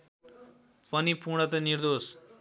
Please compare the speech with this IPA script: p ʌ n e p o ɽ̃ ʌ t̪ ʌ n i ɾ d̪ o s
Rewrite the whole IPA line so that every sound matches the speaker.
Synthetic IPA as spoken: p ʌ n i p u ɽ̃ ʌ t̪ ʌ n i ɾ d̪ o s